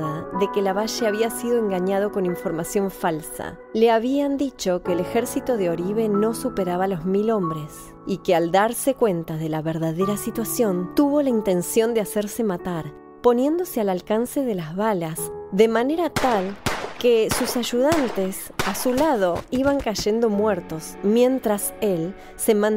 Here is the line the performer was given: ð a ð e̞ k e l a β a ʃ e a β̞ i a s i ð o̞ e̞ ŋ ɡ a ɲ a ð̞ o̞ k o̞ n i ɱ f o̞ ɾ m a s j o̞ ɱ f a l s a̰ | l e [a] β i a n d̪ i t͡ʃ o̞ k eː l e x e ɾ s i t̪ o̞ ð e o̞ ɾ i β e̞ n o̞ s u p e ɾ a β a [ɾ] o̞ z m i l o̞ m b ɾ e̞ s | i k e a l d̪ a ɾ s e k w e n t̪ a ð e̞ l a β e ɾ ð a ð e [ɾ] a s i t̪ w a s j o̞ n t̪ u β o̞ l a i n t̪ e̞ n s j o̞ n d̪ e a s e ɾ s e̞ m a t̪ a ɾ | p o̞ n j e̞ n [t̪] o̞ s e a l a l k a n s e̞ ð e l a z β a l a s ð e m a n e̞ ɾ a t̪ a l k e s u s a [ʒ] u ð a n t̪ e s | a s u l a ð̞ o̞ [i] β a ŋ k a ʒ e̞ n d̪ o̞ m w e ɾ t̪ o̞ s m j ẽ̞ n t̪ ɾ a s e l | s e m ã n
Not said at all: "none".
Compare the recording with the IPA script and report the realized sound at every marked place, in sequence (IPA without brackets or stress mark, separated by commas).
a, l, ɾ, d̪, ʒ, i